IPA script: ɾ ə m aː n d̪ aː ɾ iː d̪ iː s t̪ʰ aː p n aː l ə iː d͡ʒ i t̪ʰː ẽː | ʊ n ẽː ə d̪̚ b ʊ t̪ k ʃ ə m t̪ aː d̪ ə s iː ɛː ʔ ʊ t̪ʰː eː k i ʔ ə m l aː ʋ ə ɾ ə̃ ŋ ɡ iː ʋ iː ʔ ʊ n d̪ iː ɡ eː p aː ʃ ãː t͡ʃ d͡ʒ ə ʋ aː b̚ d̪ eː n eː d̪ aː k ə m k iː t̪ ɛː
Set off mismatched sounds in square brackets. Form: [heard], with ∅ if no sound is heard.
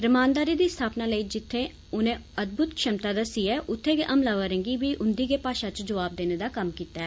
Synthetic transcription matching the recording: ɾ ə m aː n d̪ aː ɾ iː d̪ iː s t̪ʰ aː p n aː l ə iː d͡ʒ [ɪ] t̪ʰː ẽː | ʊ n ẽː ə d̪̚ b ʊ t̪ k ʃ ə m t̪ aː d̪ ə s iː ɛː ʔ ʊ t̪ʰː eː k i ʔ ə m l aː ʋ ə ɾ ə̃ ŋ ɡ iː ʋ iː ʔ ʊ n d̪ iː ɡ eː p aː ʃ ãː t͡ʃ d͡ʒ ə ʋ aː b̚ d̪ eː n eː d̪ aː k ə m k iː t̪ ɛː